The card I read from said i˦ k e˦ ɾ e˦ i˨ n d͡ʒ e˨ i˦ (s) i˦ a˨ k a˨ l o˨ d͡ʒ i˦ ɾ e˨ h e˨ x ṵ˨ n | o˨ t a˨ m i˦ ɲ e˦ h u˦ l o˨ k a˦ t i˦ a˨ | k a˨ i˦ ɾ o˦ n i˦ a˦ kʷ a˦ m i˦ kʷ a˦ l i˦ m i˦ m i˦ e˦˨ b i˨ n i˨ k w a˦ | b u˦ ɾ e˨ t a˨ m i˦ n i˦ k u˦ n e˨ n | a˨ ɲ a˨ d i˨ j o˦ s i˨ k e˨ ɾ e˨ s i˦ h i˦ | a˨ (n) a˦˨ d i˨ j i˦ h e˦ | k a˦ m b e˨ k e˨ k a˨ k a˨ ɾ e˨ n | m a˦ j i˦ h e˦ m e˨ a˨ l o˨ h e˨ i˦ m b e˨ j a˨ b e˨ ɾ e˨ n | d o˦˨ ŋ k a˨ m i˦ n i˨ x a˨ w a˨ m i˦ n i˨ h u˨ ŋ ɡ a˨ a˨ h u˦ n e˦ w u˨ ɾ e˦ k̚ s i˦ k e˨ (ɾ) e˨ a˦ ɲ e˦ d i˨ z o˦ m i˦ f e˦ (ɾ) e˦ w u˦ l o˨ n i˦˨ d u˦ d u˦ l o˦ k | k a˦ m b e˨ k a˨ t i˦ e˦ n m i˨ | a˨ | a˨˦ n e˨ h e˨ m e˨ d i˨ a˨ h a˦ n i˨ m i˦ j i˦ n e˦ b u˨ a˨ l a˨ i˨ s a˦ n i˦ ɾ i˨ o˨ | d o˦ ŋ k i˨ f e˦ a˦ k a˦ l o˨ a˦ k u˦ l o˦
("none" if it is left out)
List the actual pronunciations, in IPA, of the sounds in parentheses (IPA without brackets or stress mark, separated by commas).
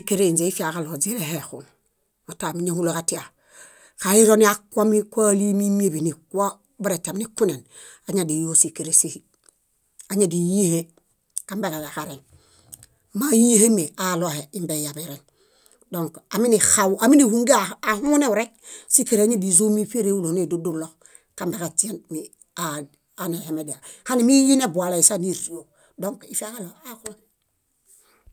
f, ɲ, ɾ, ɾ